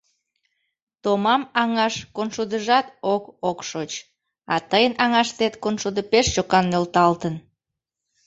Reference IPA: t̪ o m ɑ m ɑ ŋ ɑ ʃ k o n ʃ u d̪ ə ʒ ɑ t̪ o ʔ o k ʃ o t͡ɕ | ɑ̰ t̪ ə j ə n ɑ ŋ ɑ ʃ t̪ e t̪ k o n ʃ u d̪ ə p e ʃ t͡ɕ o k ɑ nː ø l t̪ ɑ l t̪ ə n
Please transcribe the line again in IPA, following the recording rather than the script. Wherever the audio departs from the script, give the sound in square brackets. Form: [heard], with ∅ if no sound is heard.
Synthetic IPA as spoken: t̪ o m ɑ m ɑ ŋ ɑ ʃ k o n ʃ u d̪ ə ʒ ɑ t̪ o [k] o k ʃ o t͡ɕ | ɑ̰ t̪ ə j ə n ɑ ŋ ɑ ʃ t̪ e t̪ k o n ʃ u d̪ ə p e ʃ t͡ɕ o k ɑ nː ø l t̪ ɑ l t̪ ə n